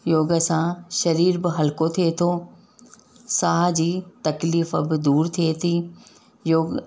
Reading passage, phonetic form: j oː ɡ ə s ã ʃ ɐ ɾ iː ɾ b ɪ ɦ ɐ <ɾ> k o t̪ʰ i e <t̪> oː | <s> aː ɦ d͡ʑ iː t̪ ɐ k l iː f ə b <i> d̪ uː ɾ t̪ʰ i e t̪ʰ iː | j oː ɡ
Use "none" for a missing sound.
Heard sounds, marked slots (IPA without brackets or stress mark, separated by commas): l, t̪ʰ, s, ɪ